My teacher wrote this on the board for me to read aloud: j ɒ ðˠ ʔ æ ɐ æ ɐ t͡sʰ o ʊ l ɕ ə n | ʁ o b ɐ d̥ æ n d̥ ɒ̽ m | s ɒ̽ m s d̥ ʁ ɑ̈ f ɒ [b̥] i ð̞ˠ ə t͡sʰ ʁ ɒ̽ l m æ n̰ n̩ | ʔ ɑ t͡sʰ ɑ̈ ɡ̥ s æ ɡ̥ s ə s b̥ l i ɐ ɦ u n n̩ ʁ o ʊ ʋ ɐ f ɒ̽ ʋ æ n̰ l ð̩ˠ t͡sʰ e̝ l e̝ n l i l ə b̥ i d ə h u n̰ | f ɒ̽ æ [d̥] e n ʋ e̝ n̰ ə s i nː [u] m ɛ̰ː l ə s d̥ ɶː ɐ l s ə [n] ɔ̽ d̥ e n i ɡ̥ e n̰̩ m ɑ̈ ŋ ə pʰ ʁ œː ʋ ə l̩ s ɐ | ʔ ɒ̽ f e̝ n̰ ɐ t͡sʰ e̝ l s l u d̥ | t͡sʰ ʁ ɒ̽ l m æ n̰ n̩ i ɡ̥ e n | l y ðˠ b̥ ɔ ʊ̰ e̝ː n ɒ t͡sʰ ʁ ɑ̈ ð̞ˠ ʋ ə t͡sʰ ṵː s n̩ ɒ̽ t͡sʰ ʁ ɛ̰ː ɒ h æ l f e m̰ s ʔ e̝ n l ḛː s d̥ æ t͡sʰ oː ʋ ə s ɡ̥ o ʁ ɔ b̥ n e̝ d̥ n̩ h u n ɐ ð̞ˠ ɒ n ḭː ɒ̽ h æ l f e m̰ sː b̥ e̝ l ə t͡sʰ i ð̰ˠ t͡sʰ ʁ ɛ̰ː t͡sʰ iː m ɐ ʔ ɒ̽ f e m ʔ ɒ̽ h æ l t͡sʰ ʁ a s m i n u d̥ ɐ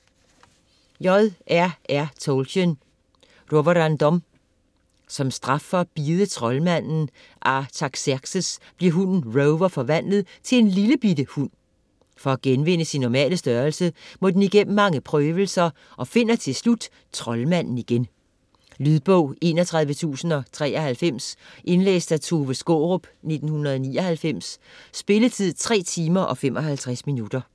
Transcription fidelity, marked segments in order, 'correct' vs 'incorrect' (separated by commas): correct, incorrect, incorrect, incorrect